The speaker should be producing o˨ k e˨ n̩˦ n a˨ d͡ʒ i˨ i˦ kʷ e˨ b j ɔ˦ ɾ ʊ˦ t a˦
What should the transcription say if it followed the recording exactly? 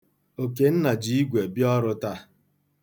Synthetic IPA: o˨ k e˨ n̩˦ n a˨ d͡ʒ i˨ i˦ ɡʷ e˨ b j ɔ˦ ɾ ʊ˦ t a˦